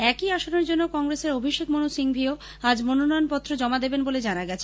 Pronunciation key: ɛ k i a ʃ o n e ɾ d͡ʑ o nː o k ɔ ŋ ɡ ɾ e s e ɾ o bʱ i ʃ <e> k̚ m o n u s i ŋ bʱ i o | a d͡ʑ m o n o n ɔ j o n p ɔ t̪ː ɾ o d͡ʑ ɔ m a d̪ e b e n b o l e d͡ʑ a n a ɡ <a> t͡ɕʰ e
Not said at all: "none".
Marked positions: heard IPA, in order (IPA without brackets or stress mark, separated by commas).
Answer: e, ɛ